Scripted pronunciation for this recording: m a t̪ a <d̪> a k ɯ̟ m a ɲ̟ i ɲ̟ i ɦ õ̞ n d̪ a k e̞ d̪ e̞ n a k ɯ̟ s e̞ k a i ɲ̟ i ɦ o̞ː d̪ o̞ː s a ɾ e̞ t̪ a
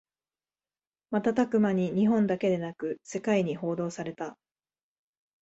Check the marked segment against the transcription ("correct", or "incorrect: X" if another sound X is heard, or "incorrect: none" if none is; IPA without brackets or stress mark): incorrect: t̪